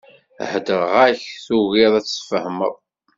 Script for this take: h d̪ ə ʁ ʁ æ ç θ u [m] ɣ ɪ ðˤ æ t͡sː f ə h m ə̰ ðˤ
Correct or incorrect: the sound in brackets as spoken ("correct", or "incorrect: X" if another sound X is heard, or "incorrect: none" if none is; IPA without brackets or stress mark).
incorrect: none